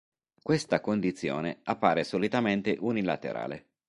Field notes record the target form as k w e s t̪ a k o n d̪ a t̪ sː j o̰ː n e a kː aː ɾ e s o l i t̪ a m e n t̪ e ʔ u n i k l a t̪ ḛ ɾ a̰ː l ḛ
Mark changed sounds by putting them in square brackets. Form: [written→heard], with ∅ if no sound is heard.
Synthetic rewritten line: k w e s t̪ a k o n d̪ [a→i] t̪ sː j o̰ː n e a [kː→pː] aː ɾ e s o l i t̪ a m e n t̪ e ʔ u n i [k→∅] l a t̪ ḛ ɾ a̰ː l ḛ